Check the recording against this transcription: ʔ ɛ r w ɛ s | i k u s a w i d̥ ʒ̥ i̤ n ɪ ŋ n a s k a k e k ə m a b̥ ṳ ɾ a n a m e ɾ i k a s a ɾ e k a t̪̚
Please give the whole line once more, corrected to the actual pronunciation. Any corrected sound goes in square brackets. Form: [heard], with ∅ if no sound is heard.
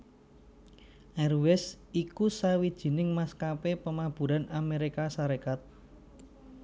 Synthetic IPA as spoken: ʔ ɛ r w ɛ s | i k u s a w i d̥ ʒ̥ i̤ n ɪ ŋ [m] a s k a [p] e [p] ə m a b̥ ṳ ɾ a n a m e ɾ i k a s a ɾ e k a t̪̚